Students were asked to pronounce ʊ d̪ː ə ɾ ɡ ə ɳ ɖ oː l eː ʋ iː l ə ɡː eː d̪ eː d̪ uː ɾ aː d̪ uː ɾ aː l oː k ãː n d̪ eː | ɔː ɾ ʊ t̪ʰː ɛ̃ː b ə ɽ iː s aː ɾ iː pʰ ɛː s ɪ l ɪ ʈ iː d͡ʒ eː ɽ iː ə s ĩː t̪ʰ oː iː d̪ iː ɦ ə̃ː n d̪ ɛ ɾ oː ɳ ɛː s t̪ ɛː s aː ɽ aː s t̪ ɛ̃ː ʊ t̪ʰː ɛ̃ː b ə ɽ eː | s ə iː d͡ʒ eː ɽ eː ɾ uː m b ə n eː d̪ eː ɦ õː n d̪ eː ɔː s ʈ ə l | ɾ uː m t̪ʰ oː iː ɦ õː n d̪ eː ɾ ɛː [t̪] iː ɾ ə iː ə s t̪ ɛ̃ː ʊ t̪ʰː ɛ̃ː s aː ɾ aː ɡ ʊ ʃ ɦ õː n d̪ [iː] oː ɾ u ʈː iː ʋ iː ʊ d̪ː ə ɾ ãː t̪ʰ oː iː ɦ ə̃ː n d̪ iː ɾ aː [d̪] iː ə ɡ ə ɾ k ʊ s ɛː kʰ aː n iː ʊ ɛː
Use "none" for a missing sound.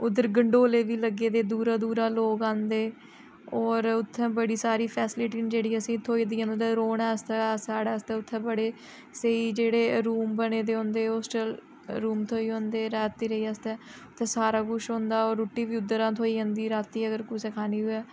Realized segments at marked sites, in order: t̪, aː, t̪

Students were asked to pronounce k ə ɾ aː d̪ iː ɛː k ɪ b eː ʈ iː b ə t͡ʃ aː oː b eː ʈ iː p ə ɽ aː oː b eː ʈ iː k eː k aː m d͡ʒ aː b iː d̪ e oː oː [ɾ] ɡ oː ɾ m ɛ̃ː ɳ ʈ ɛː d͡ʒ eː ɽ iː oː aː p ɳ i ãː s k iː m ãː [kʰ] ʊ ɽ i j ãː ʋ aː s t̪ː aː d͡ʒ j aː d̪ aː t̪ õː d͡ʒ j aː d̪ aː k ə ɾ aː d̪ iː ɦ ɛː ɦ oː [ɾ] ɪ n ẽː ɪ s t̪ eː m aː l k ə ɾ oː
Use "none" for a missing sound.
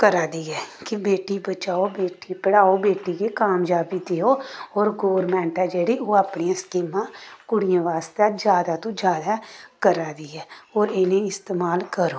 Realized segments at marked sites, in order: ɾ, k, ɾ

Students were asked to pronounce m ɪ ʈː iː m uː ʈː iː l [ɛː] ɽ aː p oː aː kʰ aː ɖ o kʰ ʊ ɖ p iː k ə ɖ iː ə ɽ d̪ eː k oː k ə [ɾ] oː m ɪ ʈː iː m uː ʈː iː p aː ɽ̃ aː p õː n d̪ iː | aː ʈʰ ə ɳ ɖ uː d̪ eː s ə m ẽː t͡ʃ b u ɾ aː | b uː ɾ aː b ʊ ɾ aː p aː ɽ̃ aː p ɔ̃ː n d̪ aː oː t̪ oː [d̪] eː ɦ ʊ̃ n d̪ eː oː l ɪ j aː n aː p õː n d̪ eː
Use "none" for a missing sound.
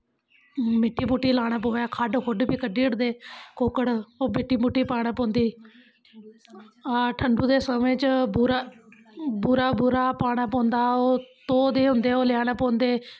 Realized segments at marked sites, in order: aː, ɽ, d̪

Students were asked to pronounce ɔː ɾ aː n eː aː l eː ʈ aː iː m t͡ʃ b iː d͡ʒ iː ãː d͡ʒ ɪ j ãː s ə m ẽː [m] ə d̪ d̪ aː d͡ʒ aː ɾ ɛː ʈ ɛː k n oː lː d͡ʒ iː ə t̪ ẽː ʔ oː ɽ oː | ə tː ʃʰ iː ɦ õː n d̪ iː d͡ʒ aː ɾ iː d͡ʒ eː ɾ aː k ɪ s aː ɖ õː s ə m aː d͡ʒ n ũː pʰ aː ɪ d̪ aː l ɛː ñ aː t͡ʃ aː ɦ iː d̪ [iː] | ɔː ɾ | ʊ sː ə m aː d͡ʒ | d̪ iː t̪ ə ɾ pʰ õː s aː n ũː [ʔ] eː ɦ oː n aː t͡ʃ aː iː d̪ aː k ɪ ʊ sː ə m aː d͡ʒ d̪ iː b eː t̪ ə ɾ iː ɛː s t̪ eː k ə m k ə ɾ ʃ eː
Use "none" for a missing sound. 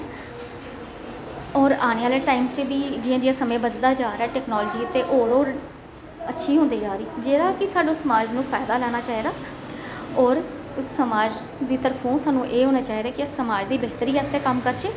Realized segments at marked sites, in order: b, aː, ʔ

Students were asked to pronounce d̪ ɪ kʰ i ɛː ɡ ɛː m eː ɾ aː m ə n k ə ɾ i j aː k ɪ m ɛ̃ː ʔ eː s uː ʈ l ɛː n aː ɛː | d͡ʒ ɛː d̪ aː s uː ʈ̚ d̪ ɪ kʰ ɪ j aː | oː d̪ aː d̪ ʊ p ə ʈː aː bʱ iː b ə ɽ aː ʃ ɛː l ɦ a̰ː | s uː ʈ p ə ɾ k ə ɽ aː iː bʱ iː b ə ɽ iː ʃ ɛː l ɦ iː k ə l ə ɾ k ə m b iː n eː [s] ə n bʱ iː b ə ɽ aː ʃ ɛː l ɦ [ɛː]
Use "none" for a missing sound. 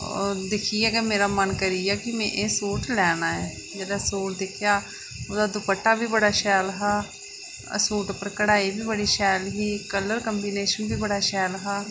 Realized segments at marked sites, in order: ʃ, aː

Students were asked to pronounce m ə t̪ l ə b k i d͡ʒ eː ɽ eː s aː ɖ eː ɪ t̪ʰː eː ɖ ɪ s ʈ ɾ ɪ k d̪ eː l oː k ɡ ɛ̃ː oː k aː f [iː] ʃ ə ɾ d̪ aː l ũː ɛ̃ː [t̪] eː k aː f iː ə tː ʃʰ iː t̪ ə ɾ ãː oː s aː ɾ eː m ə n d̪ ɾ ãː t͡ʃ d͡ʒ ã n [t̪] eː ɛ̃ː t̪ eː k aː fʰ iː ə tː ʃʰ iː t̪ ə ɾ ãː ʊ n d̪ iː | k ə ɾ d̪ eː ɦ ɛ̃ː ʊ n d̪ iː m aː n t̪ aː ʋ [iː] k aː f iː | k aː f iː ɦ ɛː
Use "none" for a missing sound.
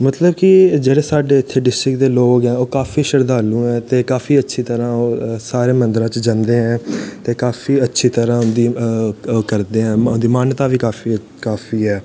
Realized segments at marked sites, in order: iː, t̪, d̪, iː

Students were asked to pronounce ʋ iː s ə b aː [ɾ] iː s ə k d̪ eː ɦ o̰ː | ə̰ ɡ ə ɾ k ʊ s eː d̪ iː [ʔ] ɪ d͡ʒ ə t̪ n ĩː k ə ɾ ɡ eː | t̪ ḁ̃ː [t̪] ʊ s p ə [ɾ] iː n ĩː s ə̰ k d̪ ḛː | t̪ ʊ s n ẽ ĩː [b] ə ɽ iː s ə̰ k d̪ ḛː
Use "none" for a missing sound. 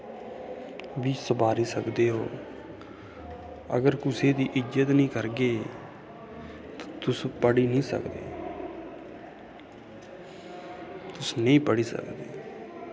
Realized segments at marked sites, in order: ɾ, ʔ, t̪, ɽ, p

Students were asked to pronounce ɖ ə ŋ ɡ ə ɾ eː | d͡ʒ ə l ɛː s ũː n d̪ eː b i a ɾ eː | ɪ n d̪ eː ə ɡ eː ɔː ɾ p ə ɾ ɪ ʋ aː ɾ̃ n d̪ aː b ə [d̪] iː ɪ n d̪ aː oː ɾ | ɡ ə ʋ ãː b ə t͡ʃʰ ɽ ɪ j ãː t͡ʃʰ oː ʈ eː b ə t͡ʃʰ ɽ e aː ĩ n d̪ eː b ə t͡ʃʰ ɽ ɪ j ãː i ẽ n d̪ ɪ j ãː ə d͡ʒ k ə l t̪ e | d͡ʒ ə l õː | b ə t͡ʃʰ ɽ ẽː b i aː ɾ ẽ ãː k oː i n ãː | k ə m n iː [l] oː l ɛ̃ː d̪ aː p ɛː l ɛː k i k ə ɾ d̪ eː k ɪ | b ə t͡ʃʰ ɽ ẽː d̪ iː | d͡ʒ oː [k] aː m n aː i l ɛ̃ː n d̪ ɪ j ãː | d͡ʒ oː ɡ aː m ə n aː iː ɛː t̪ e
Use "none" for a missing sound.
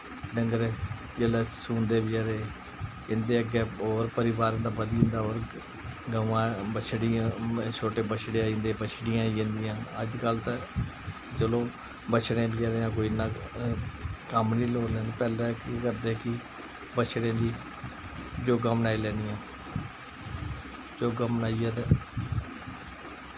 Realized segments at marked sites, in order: d̪, l, ɡ

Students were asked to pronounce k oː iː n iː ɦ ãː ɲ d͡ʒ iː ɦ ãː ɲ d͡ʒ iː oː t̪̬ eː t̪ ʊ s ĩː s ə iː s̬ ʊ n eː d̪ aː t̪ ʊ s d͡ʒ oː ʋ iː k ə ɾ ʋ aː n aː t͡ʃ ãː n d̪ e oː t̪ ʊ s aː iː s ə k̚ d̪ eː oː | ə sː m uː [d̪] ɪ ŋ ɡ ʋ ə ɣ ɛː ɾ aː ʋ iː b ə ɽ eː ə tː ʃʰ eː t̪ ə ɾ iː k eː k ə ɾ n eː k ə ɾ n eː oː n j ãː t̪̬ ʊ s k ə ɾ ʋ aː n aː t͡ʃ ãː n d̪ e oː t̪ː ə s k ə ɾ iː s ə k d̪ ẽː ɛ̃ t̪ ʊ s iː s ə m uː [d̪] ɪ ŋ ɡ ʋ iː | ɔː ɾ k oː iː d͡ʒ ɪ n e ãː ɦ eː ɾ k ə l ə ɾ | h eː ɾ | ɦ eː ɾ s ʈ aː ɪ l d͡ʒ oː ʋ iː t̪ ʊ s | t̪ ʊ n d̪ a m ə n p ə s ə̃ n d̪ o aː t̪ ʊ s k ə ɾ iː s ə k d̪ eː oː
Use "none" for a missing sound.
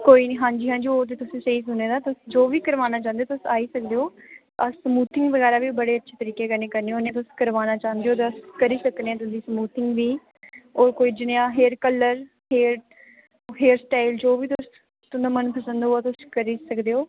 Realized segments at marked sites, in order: t̪, t̪

